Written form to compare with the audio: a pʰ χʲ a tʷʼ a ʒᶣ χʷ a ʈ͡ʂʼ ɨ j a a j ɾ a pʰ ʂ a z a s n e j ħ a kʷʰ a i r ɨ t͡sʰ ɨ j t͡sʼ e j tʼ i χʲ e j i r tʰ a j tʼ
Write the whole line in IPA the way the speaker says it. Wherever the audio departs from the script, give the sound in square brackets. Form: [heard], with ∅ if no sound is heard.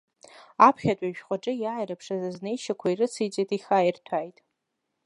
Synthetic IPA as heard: a pʰ χʲ a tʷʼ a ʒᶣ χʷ a ʈ͡ʂʼ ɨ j a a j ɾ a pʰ ʂ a z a [z] n e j [ʃ] a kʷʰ a i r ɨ t͡sʰ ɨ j t͡sʼ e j tʼ i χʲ [a] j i r tʰ a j tʼ